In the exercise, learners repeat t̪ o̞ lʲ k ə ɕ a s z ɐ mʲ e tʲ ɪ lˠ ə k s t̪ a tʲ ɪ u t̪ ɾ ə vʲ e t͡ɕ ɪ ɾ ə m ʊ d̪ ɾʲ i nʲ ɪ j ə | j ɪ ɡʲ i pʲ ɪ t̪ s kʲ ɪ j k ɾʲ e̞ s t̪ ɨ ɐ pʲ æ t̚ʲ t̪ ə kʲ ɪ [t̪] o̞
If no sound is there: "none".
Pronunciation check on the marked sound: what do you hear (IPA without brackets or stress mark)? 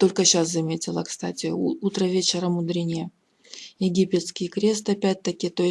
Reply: t̪